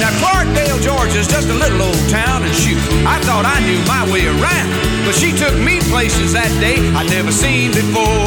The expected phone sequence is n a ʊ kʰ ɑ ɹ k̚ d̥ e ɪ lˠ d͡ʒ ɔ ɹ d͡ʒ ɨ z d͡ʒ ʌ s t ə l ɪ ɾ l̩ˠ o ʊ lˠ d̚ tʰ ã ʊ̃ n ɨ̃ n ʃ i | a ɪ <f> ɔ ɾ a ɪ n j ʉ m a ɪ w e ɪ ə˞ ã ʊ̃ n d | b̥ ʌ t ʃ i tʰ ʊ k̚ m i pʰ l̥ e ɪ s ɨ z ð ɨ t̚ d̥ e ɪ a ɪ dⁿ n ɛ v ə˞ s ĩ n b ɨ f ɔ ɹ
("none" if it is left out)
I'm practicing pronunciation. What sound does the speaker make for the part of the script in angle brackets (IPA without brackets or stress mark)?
θ